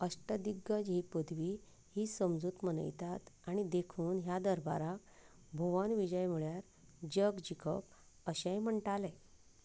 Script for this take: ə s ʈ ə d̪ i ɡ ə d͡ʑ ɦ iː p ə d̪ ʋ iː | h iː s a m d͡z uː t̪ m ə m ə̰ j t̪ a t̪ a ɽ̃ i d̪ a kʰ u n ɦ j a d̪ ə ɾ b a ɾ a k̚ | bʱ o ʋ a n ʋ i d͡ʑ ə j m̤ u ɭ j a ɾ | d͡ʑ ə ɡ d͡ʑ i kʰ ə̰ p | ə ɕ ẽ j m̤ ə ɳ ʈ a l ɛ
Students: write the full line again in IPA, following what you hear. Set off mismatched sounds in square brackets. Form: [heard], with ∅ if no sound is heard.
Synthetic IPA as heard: ə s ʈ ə d̪ i ɡ ə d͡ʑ ɦ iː p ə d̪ ʋ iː | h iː s [ə] m d͡z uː t̪ m ə [n] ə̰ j t̪ a t̪ a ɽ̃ i d̪ [e] kʰ [uː] n ɦ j a d̪ ə ɾ b a ɾ a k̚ | bʱ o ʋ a n ʋ i d͡ʑ ə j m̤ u ɭ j a ɾ | d͡ʑ ə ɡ d͡ʑ i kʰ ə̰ p | ə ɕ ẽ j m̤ ə ɳ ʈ a l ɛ